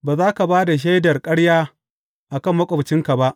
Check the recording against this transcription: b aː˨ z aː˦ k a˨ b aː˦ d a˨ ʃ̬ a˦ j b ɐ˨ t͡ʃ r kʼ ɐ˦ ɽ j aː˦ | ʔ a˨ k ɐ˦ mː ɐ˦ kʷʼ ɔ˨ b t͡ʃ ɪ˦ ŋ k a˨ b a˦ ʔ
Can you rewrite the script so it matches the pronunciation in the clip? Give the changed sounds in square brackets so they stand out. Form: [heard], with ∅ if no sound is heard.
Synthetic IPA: b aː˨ z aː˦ k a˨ b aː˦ d a˨ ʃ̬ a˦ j [d] ɐ˨ [∅] r kʼ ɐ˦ ɽ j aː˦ | ʔ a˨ k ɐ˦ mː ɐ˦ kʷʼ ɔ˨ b t͡ʃ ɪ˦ ŋ k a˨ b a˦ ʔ